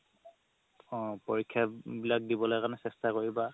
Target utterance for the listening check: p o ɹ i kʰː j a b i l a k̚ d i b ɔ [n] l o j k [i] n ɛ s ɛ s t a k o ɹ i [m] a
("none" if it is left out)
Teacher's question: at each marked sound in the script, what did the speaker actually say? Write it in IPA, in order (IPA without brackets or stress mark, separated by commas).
none, a, b